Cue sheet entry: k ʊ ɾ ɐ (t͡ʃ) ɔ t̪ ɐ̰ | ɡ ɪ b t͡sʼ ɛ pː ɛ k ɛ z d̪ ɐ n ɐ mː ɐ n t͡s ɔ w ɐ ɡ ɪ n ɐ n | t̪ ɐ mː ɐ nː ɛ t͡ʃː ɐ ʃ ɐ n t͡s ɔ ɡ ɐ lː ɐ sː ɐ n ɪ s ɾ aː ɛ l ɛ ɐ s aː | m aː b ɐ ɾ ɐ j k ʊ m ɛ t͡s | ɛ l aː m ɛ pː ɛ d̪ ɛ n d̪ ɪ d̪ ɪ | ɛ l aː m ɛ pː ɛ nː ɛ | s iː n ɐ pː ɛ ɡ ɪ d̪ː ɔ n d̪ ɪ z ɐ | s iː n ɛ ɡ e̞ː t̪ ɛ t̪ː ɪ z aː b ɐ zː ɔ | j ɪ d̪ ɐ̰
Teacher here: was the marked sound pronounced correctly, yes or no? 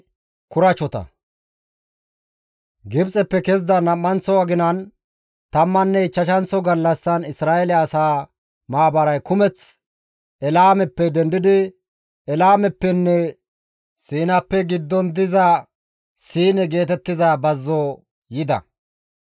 yes